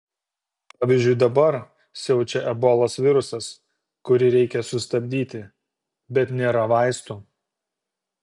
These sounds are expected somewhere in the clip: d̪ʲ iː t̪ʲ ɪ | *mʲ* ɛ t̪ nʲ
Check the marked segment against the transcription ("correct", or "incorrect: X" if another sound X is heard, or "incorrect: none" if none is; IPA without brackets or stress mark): incorrect: bʲ